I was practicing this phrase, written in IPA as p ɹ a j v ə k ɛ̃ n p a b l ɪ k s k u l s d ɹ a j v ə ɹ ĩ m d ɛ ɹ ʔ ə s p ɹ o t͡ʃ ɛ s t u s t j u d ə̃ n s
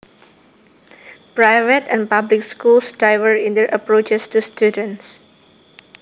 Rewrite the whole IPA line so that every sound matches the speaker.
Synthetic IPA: p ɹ a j v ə t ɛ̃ n p a b l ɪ k s k u l s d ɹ a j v ə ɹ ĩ n d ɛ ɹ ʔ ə p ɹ o t͡ʃ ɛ s t u s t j u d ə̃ n s

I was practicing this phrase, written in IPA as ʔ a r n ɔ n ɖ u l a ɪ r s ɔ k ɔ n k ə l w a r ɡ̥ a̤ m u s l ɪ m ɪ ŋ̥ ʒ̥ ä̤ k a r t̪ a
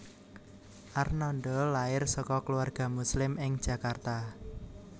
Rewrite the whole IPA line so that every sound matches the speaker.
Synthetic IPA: ʔ a r n ɔ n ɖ ɔ l a ɪ r s ɔ k ɔ k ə l u a r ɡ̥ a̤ m u s l ɪ m ɪ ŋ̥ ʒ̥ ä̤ k a r t̪ a

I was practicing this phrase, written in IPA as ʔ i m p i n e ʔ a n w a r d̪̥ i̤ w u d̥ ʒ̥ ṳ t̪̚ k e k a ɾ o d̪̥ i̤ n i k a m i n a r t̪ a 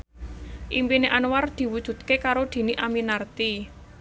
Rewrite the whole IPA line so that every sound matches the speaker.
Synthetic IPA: ʔ i m p i n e ʔ a n w a r d̪̥ i̤ w u d̥ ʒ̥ ṳ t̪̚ k e k a ɾ o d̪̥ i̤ n i ʔ a m i n a r t̪ i

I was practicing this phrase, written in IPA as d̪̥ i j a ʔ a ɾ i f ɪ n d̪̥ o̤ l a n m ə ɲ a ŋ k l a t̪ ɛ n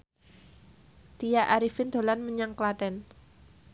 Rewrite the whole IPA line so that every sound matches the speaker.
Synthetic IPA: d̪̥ i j a ʔ a ɾ i f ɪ n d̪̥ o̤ l a n m ə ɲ a ŋ k l a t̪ ɛ n

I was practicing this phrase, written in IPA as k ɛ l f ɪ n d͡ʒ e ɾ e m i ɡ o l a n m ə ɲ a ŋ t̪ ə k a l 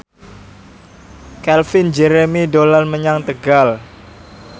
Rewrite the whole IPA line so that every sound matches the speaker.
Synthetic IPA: k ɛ l f ɪ n d͡ʒ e ɾ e m i d o l a n m ə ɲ a ŋ t̪ ə ɡ a l

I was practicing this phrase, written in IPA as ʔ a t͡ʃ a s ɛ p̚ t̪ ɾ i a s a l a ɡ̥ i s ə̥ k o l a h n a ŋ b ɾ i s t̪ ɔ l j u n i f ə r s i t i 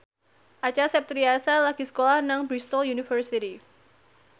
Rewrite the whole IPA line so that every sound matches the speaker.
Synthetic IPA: ʔ a t͡ʃ a s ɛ p̚ t̪ ɾ i a s a l a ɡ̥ i s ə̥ k o l a h n a ŋ b ɾ i s t̪ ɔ l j u n i f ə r s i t i

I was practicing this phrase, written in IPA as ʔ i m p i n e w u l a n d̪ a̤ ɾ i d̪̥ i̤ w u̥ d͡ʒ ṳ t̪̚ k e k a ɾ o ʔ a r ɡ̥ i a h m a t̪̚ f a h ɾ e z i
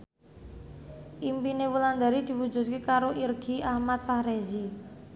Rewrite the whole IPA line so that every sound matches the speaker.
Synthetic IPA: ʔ i m p i n e w u l a n d̪ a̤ ɾ i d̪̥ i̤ w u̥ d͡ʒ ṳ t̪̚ k e k a ɾ o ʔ i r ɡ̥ i a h m a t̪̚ f a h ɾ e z i

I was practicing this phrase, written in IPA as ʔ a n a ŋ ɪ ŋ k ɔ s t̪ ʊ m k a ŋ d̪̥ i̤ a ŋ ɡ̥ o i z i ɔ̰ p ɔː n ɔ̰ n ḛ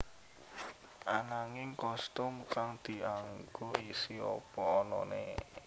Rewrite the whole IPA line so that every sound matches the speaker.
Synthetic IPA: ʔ a n a ŋ ɪ ŋ k ɔ s t̪ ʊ m k a ŋ d̪̥ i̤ a ŋ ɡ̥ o i s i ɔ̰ p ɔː n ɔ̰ n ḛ

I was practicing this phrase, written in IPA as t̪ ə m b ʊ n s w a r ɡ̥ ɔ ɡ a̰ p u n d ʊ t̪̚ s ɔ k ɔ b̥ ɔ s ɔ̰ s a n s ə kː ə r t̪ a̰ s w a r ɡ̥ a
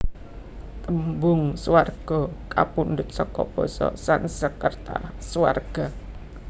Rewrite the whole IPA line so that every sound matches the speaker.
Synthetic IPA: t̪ ə m b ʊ ŋ s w a r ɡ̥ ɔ k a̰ p u n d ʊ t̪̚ s ɔ k ɔ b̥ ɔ s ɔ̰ s a n s ə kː ə r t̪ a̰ s w a r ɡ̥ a

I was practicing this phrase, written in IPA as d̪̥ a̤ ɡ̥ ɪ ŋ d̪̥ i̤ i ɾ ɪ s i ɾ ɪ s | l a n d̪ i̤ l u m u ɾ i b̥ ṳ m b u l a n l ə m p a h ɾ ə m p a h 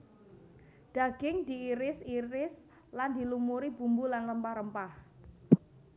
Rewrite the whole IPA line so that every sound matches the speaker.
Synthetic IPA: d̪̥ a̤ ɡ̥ ɪ ŋ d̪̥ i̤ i ɾ ɪ s i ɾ ɪ s | l a n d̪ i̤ l u m u ɾ i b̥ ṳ m b u l a n l ə m p a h ɾ ə m p a h

